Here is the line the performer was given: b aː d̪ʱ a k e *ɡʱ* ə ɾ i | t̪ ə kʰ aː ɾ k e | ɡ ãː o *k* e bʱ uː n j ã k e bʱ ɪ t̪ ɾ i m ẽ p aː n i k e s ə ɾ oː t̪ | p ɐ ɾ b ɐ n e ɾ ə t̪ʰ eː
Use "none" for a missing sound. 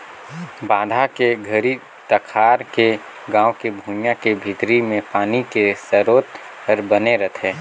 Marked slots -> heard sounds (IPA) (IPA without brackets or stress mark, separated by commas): ɡʱ, k